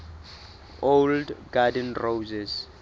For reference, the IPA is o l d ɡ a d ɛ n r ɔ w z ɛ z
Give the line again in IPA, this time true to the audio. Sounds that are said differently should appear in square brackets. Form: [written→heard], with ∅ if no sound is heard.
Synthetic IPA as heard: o l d ɡ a d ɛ n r [ɔ→o] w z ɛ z